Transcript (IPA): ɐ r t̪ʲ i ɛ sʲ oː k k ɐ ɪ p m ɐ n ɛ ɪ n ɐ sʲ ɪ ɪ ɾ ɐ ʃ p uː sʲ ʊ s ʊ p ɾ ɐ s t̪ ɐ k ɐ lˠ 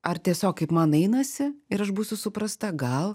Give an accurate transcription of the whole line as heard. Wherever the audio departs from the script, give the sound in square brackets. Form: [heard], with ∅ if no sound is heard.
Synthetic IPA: ɐ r t̪ʲ i ɛ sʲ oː k k ɐ ɪ p m ɐ n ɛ ɪ n ɐ sʲ ɪ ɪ ɾ ɐ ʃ [b] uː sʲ ʊ s ʊ p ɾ ɐ s t̪ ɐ [ɡ] ɐ lˠ